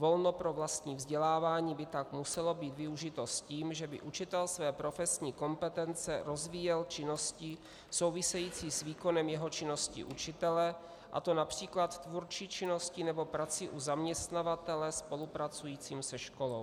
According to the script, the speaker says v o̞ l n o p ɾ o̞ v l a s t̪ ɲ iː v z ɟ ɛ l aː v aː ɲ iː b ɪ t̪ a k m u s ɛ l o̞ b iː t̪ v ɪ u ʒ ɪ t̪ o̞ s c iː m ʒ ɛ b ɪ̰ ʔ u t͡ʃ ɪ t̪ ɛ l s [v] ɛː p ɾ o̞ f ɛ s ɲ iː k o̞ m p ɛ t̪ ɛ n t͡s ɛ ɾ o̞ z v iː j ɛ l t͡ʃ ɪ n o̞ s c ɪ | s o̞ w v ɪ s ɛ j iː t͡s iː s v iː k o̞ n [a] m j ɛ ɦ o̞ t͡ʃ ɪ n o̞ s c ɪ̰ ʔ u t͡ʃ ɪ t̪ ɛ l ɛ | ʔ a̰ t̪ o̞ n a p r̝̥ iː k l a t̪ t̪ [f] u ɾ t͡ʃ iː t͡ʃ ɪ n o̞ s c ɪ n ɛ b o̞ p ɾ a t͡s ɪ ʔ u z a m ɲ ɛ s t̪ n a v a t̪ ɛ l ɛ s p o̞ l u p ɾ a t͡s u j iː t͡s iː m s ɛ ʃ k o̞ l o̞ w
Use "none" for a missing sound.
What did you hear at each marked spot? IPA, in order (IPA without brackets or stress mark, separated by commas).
v, ɛ, v